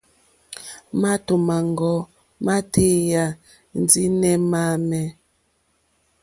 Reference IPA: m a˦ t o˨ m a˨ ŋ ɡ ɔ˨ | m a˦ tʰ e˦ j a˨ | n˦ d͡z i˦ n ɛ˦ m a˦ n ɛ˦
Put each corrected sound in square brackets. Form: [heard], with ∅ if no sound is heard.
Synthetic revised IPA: m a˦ t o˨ m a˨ ŋ ɡ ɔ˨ | m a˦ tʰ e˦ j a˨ | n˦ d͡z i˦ n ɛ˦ m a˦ [m] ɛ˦